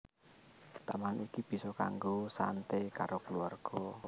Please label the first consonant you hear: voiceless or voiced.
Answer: voiceless